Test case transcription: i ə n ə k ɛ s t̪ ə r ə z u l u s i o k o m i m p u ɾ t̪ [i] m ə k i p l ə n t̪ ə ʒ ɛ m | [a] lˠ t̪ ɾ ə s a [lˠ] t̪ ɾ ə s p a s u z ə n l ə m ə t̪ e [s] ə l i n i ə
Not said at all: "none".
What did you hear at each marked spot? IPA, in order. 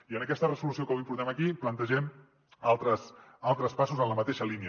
ɛ, a, lˠ, ʃ

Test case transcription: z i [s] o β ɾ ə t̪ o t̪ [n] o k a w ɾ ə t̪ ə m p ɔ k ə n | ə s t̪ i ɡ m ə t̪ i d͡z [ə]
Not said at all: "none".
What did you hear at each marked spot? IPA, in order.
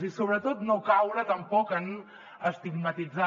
s, n, a

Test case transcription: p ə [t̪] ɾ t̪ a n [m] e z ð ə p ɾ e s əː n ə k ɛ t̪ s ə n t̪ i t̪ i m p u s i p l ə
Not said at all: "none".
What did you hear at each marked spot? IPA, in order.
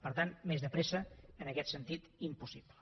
none, m

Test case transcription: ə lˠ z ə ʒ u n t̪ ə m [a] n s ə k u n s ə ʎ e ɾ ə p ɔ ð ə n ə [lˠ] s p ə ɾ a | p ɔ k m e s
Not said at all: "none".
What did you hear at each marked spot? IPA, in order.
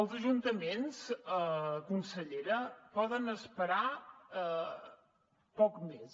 e, none

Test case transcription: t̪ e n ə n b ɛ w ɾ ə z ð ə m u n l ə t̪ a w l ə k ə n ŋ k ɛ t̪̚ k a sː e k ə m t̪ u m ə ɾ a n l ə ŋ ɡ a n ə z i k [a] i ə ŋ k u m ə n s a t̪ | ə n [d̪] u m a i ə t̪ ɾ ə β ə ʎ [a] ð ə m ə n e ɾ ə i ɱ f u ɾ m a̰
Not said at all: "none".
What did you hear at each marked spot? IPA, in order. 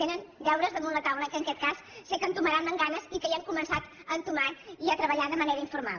ə, t̪, a

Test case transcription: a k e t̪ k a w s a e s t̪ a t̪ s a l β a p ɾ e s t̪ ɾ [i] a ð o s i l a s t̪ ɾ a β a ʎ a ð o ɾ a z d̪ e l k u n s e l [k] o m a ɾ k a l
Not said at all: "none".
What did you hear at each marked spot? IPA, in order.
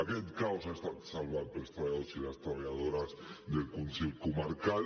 a, k

